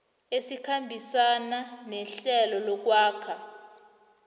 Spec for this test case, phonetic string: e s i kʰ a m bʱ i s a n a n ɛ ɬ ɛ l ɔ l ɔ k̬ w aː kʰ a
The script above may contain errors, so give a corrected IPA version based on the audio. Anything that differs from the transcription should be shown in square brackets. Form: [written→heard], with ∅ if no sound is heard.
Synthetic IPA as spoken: e s i kʰ a m bʱ i s a n a n ɛ ɬ ɛ l ɔ l ɔ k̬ w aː kʰ a

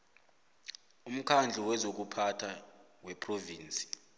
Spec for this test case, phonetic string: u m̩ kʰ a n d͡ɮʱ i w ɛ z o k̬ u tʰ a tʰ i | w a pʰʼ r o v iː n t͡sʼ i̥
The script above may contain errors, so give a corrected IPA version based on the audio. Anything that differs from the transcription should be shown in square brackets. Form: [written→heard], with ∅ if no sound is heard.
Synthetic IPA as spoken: u m̩ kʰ a n d͡ɮʱ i w ɛ z o k̬ u [tʰ→pʰ] a tʰ [i→a] | w [a→ɛ] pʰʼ r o v iː n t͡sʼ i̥

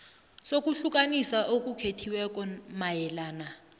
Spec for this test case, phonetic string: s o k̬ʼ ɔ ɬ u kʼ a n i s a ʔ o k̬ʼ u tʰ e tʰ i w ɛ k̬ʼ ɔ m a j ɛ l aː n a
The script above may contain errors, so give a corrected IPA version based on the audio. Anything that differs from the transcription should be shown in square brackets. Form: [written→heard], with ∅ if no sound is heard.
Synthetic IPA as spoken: s o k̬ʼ [ɔ→u] ɬ u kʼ a n i s a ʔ o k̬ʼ u [tʰ→kʰ] e tʰ i w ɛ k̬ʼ ɔ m a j ɛ l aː n a

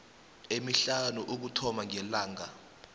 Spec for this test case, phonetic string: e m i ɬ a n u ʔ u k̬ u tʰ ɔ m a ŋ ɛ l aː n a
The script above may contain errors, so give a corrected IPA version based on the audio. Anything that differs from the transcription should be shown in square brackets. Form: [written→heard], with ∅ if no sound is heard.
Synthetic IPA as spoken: e m i ɬ a n u ʔ u k̬ u tʰ ɔ m a ŋ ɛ l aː [n→ŋ] a

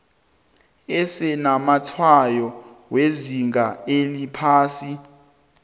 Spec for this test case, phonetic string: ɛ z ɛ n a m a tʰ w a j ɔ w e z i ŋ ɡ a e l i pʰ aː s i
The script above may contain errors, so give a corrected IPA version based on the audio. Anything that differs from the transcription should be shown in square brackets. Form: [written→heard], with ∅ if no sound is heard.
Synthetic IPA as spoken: ɛ [z→s] ɛ n a m a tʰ w a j ɔ w e z i ŋ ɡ a e l i pʰ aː s i

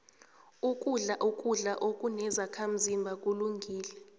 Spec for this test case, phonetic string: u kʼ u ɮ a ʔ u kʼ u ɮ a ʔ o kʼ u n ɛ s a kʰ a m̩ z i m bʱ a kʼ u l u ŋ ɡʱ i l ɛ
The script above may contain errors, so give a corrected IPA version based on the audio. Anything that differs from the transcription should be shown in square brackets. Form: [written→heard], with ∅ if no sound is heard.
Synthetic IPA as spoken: u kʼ u ɮ a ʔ u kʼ u ɮ a ʔ o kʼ u n ɛ [s→z] a kʰ a m̩ z i m bʱ a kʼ u l u ŋ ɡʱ [i→iː] l ɛ

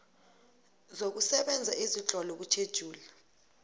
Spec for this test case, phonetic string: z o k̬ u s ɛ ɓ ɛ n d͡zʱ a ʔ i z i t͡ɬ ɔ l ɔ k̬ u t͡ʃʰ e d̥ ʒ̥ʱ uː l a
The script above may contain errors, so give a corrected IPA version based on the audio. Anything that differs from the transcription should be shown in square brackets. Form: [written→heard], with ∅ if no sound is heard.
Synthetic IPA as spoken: z o k̬ u s ɛ ɓ ɛ n d͡zʱ a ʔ i z i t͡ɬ ɔ l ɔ k̬ u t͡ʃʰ e d̥ ʒ̥ʱ uː l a

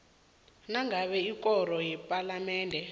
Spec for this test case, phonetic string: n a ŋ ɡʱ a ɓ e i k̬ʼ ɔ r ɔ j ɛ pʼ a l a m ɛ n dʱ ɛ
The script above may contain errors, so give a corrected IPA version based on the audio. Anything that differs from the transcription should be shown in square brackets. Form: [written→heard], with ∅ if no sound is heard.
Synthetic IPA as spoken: n a ŋ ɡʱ a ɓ [e→ɛ] i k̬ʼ ɔ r ɔ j ɛ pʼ a l a m [ɛ→ɛː] n dʱ ɛ

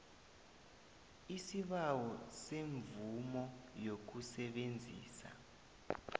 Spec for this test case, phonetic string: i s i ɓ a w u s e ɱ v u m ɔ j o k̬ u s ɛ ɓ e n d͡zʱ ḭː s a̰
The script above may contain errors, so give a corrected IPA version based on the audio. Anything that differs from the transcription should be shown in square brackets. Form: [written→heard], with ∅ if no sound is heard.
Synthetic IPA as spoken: i s i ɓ a w [u→ɔ] s e ɱ v u m ɔ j o k̬ u s ɛ ɓ e n d͡zʱ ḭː s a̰

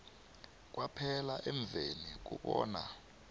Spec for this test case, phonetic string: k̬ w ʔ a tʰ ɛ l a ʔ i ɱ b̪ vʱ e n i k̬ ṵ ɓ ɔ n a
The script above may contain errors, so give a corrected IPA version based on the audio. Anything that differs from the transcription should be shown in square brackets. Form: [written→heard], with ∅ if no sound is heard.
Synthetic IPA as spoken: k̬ w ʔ a [tʰ→pʰ] ɛ l a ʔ [i→ɛ] ɱ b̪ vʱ e n i k̬ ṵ ɓ [ɔ→ɔː] n a

